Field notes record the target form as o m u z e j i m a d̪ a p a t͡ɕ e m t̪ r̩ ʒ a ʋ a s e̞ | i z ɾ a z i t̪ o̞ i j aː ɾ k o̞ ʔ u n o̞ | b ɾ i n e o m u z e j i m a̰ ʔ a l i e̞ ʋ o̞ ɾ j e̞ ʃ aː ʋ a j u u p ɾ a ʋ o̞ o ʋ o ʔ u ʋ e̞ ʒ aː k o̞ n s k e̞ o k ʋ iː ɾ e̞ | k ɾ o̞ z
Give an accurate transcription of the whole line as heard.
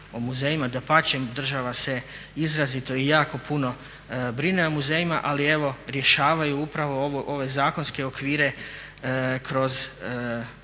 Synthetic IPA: o m u z e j i m a d̪ a p a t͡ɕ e m d̪ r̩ ʒ a ʋ a s e̞ | i z ɾ a z i t̪ o̞ i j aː k o̞ p u n o̞ | b ɾ i n e o m u z e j i m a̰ ʔ a l i e̞ ʋ o̞ ɾ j e̞ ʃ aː ʋ a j u u p ɾ a ʋ o̞ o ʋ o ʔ o ʋ e̞ z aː k o̞ n s k e̞ o k ʋ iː ɾ e̞ | k ɾ o̞ z